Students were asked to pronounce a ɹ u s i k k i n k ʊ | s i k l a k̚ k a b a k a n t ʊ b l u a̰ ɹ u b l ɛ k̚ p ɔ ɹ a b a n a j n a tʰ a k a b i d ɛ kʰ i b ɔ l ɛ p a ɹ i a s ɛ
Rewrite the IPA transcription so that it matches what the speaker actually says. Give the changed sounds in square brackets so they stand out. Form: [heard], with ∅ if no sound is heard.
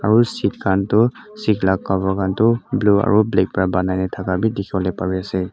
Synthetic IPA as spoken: a ɹ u s i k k [a] n [t] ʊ | s i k l a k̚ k a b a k a n t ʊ b l u a̰ ɹ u b l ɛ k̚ p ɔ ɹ a b a n a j n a tʰ a k a b i d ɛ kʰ i b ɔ l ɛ p a ɹ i a s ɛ